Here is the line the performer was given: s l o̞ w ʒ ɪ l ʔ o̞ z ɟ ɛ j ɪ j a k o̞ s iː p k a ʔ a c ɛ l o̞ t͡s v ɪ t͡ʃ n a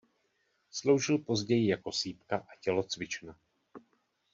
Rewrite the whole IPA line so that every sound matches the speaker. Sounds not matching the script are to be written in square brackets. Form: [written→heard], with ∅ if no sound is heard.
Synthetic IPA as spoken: s l o̞ w ʒ ɪ l [ʔ→p] o̞ z ɟ ɛ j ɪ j a k o̞ s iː p k a ʔ a c ɛ l o̞ t͡s v ɪ t͡ʃ n a